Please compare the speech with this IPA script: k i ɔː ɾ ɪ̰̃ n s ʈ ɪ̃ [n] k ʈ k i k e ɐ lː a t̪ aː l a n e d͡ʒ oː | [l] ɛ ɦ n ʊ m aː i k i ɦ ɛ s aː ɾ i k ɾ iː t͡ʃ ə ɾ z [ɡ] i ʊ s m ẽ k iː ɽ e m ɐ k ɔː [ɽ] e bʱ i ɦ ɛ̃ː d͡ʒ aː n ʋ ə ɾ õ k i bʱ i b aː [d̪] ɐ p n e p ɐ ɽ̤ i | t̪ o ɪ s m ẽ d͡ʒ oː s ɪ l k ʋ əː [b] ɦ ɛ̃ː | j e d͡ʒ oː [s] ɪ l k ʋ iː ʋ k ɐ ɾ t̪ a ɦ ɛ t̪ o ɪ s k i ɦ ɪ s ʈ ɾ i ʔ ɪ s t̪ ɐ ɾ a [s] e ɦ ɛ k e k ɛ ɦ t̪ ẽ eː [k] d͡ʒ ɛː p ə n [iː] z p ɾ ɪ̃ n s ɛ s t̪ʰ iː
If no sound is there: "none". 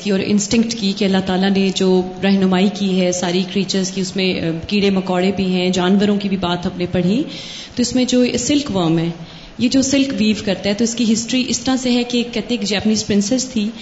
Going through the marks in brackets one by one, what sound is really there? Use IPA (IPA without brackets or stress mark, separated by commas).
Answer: ŋ, ɾ, k, ɽ, t̪, m, s, s, k, iː